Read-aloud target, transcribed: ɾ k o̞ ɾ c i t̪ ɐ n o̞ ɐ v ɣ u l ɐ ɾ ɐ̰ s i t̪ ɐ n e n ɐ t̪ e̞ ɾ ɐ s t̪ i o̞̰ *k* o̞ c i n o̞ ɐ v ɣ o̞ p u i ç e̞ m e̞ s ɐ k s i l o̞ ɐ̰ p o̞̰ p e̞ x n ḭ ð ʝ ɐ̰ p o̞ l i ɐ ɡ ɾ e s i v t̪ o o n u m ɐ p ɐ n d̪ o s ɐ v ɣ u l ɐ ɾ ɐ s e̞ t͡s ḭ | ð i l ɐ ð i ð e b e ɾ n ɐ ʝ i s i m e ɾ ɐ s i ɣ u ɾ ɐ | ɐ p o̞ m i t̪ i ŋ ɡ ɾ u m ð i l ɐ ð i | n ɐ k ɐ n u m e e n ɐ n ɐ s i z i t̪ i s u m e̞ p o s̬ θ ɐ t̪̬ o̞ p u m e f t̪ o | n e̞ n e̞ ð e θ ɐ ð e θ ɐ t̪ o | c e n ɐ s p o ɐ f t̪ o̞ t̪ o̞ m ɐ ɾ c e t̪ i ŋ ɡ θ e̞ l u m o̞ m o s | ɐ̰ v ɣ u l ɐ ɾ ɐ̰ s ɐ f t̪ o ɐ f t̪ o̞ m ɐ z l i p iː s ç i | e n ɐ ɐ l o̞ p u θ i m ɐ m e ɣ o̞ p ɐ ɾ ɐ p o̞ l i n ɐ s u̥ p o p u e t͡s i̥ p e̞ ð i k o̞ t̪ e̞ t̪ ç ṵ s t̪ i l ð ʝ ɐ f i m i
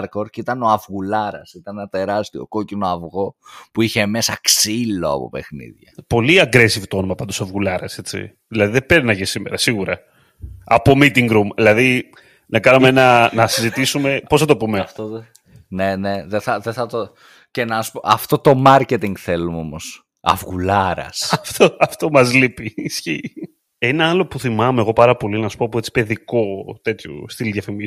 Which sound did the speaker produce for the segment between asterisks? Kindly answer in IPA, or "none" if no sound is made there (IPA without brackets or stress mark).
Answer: k